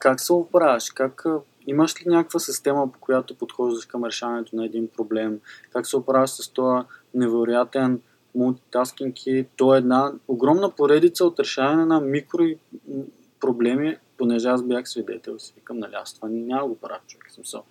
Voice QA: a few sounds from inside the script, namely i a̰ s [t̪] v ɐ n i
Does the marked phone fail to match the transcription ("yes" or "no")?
no